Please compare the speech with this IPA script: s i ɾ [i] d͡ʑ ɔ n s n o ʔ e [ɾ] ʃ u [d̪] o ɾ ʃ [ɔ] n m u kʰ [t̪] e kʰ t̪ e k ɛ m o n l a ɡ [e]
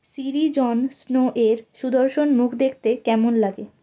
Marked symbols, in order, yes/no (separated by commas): yes, yes, yes, no, no, yes